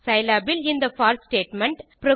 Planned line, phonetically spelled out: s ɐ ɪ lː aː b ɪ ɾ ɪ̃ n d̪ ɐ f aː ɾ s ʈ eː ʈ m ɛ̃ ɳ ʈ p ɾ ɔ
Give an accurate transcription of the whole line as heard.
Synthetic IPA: s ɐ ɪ l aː b ɪ l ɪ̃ n d̪ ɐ f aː ɾ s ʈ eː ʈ m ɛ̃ ɳ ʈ p ɾ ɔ